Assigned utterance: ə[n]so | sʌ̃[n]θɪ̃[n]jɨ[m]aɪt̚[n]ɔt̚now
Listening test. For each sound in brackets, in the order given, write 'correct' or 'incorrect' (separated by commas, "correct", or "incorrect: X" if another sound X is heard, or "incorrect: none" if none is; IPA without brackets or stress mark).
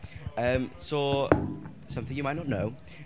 incorrect: m, incorrect: m, incorrect: ŋ, correct, correct